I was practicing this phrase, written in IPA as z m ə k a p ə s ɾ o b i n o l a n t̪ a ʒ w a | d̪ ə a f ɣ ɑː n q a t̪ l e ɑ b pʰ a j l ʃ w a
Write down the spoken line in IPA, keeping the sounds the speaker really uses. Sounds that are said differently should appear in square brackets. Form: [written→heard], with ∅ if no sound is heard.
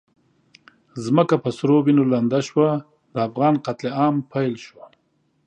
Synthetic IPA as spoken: z m ə k a p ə s ɾ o b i n o l a n [t̪→d̪] a [ʒ→ʃ] w a | d̪ ə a f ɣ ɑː n q a t̪ l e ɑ [b→m] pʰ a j l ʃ w a